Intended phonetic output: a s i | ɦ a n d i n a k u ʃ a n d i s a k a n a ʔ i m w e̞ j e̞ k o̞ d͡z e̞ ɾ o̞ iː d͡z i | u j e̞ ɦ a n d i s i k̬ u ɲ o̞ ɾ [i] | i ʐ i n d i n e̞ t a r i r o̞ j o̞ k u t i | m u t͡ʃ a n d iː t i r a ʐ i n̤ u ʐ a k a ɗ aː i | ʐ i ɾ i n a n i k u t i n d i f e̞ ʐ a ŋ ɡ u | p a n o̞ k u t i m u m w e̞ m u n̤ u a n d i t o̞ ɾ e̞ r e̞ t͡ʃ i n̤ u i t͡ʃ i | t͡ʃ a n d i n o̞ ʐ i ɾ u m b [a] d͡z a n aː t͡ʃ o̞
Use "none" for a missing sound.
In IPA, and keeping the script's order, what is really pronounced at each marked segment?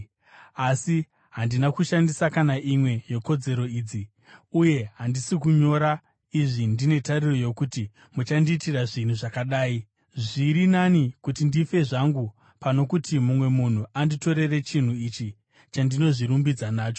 a, i

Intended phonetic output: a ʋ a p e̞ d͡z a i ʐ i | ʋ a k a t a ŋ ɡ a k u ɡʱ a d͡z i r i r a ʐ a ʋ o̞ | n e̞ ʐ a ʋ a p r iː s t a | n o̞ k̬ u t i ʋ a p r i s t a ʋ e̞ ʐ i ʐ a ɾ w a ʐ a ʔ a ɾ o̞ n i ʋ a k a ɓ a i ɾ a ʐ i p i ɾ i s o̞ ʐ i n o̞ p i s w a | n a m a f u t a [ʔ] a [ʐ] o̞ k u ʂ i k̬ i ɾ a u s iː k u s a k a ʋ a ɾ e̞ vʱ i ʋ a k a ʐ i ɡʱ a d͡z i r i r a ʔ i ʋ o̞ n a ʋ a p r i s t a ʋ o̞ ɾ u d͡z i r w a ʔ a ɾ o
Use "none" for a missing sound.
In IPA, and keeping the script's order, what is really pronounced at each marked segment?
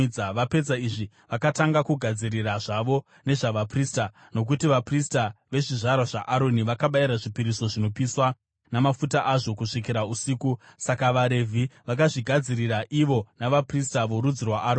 ʔ, ʐ

